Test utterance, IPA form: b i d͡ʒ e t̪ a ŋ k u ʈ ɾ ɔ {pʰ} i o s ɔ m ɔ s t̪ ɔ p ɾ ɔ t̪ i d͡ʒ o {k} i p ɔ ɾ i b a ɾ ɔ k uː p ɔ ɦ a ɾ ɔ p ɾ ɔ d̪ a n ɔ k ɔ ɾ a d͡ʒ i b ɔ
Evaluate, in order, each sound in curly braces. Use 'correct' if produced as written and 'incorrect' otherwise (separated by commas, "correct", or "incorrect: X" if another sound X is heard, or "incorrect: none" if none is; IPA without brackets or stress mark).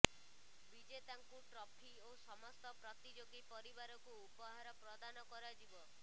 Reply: correct, incorrect: ɡ